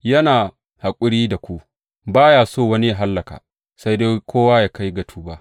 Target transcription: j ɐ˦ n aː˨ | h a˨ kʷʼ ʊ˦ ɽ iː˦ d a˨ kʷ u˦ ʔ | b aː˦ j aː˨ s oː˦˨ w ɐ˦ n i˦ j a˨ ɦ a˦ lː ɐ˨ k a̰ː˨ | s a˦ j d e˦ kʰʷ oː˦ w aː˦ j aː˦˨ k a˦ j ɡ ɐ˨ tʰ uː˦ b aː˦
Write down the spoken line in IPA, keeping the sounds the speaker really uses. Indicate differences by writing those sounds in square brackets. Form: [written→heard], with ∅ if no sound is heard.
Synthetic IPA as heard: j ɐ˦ n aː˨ | h a˨ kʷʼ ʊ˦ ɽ iː˦ d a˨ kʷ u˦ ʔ | b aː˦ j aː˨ s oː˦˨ w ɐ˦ n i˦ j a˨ ɦ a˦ lː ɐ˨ k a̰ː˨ | s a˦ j d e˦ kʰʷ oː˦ w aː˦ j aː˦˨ k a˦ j ɡ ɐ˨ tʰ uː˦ b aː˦